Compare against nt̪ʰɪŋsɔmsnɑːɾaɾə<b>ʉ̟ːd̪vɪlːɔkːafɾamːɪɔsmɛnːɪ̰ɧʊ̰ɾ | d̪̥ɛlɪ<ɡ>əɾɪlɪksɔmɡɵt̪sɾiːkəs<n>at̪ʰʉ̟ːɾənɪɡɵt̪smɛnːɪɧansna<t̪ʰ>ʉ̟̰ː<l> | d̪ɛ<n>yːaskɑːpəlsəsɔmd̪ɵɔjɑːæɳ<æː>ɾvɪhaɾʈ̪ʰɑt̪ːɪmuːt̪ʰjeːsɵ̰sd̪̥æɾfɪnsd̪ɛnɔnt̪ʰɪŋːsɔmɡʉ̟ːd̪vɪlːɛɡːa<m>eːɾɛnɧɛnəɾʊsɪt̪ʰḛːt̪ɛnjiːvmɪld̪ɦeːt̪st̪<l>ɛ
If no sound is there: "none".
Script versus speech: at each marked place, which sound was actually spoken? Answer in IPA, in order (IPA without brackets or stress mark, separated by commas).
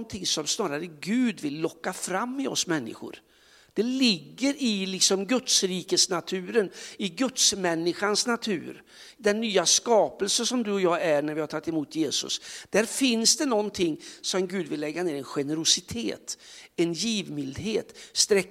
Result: ɡ, ɡː, n, t̪ʰ, ɾ, nː, æ, n, ɾ